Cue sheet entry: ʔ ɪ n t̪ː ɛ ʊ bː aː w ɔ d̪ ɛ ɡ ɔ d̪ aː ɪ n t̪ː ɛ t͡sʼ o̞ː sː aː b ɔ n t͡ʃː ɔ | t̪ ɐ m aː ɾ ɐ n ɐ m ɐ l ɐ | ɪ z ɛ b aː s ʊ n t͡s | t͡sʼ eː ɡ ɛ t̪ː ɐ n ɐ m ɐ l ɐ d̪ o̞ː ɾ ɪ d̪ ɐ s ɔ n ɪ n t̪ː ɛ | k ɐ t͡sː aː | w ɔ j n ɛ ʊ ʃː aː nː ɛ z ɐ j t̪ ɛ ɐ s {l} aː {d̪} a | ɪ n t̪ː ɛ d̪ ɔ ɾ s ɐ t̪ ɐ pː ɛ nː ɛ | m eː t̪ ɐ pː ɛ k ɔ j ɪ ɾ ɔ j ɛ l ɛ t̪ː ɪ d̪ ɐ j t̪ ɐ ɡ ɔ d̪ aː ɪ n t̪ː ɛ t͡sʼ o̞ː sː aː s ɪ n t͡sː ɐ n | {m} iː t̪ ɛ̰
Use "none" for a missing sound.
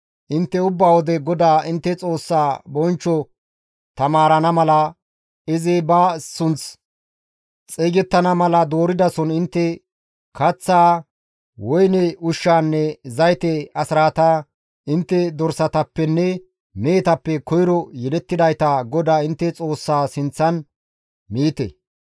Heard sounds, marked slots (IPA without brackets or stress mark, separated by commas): ɾ, t̪, m